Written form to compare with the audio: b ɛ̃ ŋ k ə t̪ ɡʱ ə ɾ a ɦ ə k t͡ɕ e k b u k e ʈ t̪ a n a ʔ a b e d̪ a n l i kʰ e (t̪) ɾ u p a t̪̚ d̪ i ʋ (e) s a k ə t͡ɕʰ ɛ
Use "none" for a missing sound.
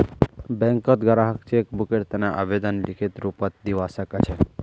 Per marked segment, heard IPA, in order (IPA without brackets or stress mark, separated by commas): t̪, a